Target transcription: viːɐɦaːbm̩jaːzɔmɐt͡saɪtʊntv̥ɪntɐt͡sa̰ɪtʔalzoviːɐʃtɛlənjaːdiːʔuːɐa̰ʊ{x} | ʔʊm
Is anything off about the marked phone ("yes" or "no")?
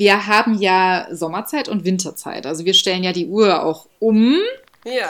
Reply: no